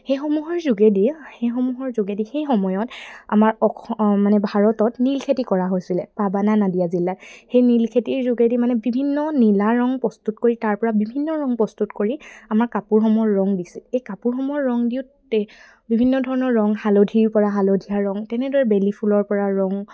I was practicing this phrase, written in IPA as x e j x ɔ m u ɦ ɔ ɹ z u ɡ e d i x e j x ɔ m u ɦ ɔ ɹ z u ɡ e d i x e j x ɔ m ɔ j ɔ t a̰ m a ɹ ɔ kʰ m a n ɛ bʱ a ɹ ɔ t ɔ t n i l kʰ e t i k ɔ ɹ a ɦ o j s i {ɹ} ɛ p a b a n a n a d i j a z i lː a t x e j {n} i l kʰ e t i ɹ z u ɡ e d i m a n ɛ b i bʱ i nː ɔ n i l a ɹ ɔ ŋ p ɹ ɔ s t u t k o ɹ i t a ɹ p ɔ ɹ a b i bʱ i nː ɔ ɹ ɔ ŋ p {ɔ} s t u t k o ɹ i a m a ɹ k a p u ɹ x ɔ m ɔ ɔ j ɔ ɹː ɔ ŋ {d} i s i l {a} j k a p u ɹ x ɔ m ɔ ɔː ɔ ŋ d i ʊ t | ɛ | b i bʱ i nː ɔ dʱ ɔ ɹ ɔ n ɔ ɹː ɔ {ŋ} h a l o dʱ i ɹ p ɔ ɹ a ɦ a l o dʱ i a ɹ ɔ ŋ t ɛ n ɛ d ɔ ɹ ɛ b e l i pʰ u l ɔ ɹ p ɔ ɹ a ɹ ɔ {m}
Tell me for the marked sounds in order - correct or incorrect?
incorrect, correct, correct, correct, incorrect, correct, incorrect

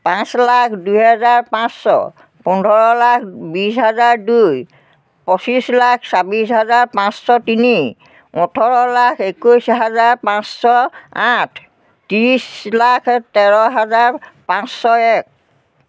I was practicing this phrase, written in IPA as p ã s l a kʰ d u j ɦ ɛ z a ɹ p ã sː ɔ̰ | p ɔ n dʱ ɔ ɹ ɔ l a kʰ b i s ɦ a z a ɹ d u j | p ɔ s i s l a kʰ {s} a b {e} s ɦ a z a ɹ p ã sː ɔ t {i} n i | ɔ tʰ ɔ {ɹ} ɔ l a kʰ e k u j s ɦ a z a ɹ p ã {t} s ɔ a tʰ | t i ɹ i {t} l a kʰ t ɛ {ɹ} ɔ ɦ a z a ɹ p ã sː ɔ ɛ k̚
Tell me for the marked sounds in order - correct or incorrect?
correct, incorrect, correct, correct, incorrect, incorrect, correct

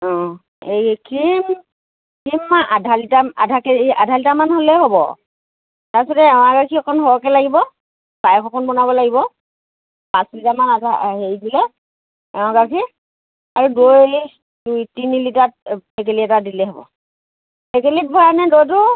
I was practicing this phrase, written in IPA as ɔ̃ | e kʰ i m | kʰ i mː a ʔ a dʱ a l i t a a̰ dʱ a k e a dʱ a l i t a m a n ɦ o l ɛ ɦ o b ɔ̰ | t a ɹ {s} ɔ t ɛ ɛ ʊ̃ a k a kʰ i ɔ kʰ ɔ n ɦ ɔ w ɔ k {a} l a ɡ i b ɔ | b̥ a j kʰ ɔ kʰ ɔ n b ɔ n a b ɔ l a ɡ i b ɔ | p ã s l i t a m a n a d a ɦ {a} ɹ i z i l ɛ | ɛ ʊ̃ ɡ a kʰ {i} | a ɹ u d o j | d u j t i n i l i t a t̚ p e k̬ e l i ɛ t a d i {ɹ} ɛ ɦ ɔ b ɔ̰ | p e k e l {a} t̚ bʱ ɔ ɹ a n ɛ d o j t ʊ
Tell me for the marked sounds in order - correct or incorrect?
correct, incorrect, incorrect, correct, incorrect, incorrect

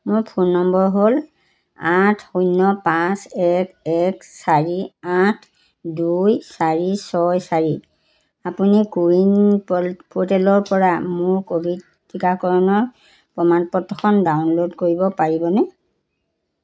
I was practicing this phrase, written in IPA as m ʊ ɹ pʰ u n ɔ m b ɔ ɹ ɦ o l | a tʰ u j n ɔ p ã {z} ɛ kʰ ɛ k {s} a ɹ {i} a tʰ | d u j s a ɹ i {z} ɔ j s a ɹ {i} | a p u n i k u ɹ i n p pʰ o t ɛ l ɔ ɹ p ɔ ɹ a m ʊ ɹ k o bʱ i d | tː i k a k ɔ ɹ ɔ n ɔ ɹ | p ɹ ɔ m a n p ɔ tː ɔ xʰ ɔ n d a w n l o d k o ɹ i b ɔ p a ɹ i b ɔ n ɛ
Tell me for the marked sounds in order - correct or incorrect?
incorrect, correct, correct, incorrect, correct

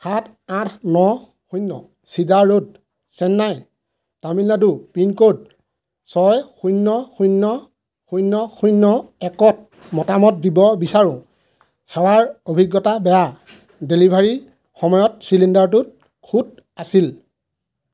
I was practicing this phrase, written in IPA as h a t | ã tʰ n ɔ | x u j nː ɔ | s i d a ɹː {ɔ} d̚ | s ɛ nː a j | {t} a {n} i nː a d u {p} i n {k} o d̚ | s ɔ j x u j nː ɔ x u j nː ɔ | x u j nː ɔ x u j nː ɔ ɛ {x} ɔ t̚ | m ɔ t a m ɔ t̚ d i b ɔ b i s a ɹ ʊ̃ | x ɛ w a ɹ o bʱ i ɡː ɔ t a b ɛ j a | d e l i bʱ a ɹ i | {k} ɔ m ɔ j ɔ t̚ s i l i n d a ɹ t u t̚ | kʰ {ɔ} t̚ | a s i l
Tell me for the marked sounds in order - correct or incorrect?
incorrect, correct, incorrect, correct, correct, incorrect, incorrect, incorrect

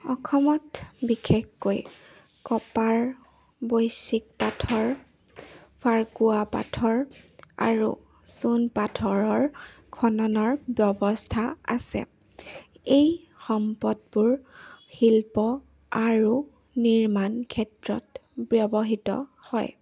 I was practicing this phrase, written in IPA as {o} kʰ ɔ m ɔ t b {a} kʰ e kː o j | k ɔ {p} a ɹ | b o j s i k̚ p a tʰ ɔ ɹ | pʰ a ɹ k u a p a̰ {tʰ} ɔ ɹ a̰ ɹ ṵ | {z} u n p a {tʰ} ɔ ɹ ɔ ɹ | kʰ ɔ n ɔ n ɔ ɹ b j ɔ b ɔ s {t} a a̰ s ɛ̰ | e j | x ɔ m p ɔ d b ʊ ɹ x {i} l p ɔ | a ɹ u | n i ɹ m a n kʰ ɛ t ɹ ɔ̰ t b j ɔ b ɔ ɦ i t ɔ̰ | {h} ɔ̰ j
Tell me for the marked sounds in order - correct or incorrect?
incorrect, incorrect, correct, correct, incorrect, correct, incorrect, correct, correct

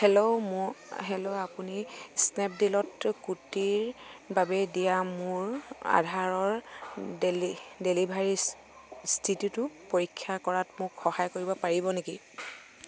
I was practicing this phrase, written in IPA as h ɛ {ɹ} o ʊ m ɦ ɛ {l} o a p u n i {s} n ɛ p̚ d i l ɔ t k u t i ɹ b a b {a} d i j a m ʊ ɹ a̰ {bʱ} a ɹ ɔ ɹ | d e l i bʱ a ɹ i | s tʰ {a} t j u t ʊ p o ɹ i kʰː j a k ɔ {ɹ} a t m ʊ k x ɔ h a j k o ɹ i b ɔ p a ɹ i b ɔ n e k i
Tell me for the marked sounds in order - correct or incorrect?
incorrect, correct, correct, incorrect, incorrect, incorrect, correct

